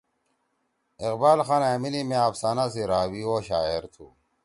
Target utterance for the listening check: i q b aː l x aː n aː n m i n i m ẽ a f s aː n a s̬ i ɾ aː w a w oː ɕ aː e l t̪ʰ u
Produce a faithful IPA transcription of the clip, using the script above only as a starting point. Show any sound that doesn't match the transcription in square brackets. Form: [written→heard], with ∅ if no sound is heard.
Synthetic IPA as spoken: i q b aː l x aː n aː [n→∅] m i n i m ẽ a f s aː n a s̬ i ɾ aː w [a→i] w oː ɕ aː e [l→ɾ] t̪ʰ u